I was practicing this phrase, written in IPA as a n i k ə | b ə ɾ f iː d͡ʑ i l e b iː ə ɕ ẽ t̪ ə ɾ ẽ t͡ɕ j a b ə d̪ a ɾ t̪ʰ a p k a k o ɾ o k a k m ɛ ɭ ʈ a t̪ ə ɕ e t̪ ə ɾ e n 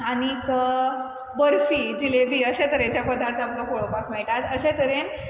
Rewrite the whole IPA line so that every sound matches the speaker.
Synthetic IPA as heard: a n i k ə | b ə ɾ f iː d͡ʑ i l e b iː ə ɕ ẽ t̪ ə ɾ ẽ t͡ɕ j a p ə d̪ a ɾ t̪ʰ a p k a k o ɭ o p a k m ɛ ɭ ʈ a t̪ ə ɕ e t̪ ə ɾ e n